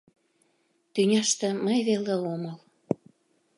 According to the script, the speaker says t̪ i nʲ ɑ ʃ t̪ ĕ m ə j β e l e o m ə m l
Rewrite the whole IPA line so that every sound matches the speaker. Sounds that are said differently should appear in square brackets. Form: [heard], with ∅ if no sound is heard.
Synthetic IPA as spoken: t̪ [y] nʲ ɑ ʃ t̪ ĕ m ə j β e l e o m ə [∅] l